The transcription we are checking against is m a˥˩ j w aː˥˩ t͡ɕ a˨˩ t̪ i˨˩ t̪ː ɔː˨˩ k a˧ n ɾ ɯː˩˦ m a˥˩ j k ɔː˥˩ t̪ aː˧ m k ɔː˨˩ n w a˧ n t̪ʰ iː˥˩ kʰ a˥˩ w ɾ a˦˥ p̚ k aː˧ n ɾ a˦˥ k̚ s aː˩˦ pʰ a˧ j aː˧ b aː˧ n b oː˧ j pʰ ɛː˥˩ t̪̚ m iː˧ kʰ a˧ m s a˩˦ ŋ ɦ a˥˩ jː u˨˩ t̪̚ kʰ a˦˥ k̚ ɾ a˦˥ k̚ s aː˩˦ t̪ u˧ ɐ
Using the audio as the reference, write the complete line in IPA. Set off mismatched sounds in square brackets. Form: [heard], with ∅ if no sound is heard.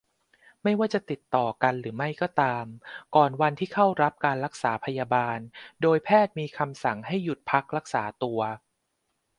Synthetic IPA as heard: m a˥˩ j w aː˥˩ t͡ɕ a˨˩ t̪ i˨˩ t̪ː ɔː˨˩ k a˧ n ɾ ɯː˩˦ m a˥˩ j k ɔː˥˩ t̪ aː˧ m k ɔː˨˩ n w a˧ n t̪ʰ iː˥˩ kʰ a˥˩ w ɾ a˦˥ p̚ k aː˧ n ɾ a˦˥ k̚ s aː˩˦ pʰ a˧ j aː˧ b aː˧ n [d] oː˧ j pʰ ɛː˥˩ t̪̚ m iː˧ kʰ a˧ m s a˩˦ ŋ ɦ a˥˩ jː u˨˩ t̪̚ [pʰ] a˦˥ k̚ ɾ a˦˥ k̚ s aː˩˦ t̪ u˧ ɐ